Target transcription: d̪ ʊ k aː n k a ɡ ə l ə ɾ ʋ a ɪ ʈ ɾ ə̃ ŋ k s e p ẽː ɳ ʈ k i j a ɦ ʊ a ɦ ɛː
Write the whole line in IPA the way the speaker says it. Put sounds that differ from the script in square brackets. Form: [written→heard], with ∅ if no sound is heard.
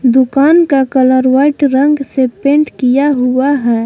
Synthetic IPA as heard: d̪ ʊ k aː n k a [ɡ→k] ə l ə ɾ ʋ a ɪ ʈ ɾ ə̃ ŋ [k→ɡ] s e p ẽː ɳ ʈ k i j a ɦ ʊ a ɦ ɛː